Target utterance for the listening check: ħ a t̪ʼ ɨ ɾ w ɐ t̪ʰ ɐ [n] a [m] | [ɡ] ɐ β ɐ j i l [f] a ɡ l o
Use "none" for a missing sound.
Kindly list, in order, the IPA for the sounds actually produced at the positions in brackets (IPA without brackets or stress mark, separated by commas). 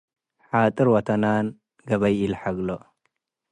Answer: n, n, ɡ, ħ